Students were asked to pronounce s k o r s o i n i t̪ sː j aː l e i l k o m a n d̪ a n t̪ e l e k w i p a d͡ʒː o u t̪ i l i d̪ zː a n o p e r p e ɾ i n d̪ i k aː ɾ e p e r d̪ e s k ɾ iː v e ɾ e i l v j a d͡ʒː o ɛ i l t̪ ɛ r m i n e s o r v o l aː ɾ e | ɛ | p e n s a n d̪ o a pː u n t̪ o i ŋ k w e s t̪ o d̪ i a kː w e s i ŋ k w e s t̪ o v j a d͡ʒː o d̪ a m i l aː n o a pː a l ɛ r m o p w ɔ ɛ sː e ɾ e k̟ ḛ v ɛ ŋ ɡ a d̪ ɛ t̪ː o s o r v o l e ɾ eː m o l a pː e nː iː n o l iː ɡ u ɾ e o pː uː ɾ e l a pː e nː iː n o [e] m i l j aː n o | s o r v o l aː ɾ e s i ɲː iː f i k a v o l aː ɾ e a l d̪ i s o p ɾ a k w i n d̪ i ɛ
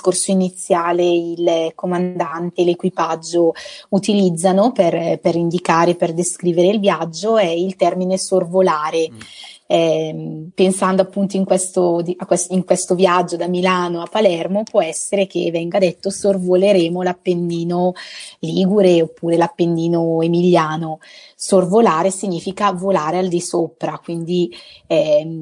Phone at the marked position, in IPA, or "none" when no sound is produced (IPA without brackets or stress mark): e